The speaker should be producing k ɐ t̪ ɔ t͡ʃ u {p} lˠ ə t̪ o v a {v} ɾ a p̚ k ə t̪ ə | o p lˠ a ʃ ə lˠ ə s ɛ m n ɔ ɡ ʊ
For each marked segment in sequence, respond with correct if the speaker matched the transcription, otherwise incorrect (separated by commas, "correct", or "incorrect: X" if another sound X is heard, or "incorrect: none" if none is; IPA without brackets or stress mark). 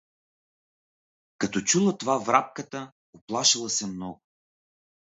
incorrect: none, correct